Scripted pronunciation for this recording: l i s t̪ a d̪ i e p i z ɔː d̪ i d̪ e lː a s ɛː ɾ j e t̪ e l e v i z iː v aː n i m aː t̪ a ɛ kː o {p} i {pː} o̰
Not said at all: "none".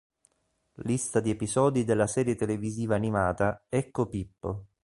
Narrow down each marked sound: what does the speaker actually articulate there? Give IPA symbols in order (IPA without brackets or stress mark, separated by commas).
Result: p, pː